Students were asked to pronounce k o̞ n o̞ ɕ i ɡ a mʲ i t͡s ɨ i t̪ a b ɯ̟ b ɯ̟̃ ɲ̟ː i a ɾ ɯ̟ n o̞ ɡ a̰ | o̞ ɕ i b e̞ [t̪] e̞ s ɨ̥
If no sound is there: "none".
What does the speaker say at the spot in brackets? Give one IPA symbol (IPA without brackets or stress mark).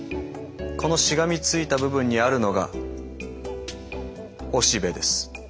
d̪